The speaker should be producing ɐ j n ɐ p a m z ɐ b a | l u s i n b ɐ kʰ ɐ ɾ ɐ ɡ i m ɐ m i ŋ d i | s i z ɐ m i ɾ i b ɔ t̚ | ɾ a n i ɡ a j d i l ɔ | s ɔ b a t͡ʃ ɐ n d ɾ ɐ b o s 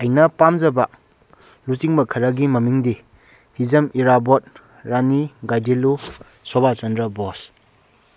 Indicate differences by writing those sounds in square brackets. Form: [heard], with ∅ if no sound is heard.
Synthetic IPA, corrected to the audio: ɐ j n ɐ p a m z ɐ b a | l u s i [ŋ] b ɐ kʰ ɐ ɾ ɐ ɡ i m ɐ m i ŋ d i | [h] i z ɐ m i ɾ [a] b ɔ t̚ | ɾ a n i ɡ a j d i l [u] | s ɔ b a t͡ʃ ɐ n d ɾ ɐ b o s

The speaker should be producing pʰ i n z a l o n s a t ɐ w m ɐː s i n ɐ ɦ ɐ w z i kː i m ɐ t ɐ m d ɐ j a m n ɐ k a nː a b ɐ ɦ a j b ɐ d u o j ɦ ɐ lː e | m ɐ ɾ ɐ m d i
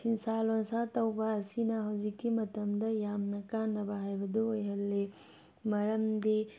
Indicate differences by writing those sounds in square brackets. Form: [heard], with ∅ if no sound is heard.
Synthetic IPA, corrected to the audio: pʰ i n [s] a l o n s a t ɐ w [b] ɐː s i n ɐ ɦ ɐ w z i kː i m ɐ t ɐ m d ɐ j a m n ɐ k a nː [ɐ] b ɐ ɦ a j b ɐ d u o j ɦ ɐ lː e | m ɐ ɾ ɐ m d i

